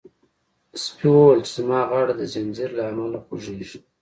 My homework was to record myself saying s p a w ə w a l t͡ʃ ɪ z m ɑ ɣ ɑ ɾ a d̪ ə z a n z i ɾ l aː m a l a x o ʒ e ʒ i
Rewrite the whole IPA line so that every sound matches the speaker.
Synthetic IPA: s p i w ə w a l t͡ʃ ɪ z m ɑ ɣ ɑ ɽ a d̪ ə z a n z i ɾ l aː m a l a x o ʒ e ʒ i